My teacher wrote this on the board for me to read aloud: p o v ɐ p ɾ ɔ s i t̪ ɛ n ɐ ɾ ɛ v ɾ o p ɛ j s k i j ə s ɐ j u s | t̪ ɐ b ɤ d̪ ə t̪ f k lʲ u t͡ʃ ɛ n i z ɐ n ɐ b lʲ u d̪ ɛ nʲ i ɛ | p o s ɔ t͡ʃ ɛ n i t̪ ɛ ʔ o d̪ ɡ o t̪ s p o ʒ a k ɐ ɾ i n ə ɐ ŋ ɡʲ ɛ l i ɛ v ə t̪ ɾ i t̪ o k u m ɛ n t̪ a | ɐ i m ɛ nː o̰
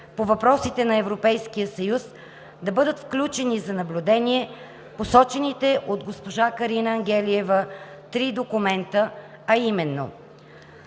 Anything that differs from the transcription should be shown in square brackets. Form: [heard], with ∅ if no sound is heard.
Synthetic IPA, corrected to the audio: p o v ɐ p ɾ ɔ s i t̪ ɛ n ɐ [∅] ɛ v ɾ o p ɛ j s k i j ə s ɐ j u s | [d̪] ɐ b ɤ d̪ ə t̪ f k lʲ u t͡ʃ ɛ n i z ɐ n ɐ b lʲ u d̪ ɛ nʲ i ɛ | p o s ɔ t͡ʃ ɛ n i t̪ ɛ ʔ o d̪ ɡ o [∅] s p o ʒ a k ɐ ɾ i n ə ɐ ŋ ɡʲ ɛ l i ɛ v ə t̪ ɾ i [d̪] o k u m ɛ n t̪ [ə] | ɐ i m ɛ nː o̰

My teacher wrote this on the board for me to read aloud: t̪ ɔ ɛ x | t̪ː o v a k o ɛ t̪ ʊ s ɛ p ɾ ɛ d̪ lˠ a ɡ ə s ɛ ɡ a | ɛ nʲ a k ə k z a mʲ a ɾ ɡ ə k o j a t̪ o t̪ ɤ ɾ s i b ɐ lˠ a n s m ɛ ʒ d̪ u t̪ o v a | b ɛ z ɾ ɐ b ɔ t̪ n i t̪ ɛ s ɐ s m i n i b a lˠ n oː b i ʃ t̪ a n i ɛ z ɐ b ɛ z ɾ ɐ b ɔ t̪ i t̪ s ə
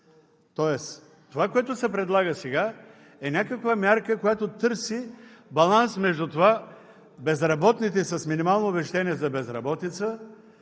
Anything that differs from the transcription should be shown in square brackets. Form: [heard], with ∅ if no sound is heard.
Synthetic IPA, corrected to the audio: t̪ ɔ ɛ [s] | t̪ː o v a k o ɛ t̪ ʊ s ɛ p ɾ ɛ d̪ lˠ a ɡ ə s ɛ ɡ a | ɛ nʲ a k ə k [v] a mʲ a ɾ [k] ə k o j a t̪ o t̪ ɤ ɾ s i b ɐ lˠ a n s m ɛ ʒ d̪ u t̪ o v a | b ɛ z ɾ ɐ b ɔ t̪ n i t̪ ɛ s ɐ s m i n i [m] a lˠ n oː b [ɛ] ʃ t̪ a n i ɛ z ɐ b ɛ z ɾ ɐ b ɔ t̪ i t̪ s ə

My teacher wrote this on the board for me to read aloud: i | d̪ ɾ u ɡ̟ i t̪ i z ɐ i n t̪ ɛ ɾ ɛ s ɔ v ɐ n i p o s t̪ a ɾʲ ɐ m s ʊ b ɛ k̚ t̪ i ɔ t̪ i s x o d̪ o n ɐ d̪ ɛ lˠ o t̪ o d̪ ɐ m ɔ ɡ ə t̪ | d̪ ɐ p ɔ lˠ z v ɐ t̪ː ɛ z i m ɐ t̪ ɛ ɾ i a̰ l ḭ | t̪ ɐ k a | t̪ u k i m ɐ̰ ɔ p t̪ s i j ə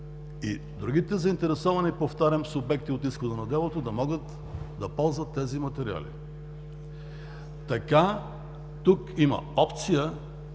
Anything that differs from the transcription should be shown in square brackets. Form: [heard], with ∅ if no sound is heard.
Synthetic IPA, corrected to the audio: i | d̪ ɾ u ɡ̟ i t̪ [ɛ] z ɐ i n t̪ ɛ ɾ ɛ s ɔ v ɐ n i p o [f] t̪ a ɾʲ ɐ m s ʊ b ɛ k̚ t̪ i [o] t̪ i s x o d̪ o n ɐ d̪ ɛ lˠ o t̪ o d̪ ɐ m ɔ ɡ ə t̪ | d̪ ɐ p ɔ lˠ z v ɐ t̪ː ɛ z i m ɐ t̪ ɛ ɾ i a̰ l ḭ | t̪ ɐ k a | t̪ u k i m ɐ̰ ɔ p t̪ s i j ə

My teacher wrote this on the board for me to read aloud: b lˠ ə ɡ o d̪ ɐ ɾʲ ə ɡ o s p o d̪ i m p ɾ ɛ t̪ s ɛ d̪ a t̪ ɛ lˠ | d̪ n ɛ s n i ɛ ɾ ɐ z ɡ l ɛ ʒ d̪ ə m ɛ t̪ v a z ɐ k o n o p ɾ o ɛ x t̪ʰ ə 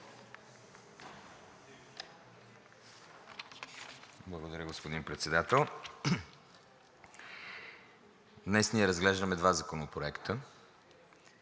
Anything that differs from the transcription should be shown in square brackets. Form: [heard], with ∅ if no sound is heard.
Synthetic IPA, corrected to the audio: b lˠ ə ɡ o d̪ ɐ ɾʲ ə ɡ o s p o d̪ i [n] p ɾ ɛ t̪ s ɛ d̪ a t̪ ɛ lˠ | d̪ n ɛ s n i ɛ ɾ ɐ z ɡ l ɛ ʒ d̪ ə m ɛ [d̪] v a z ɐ k o n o p ɾ o ɛ [k] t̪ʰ ə

